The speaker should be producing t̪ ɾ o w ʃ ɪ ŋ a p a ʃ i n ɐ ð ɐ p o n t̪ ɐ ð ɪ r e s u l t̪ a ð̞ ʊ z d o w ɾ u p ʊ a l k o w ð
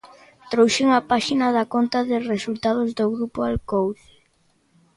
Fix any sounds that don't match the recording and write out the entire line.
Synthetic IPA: t̪ ɾ o w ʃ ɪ ŋ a p a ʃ i n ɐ ð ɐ k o n t̪ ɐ ð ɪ r e s u l t̪ a ð̞ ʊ z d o ɣ ɾ u p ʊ a l k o w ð